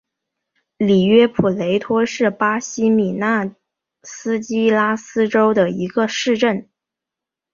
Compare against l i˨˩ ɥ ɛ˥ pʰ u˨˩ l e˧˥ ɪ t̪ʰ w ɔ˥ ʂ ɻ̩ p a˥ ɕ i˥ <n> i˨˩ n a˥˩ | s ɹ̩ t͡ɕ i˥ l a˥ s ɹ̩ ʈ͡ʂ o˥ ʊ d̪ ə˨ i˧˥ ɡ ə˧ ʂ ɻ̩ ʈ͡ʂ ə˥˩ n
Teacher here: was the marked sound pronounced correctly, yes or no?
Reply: no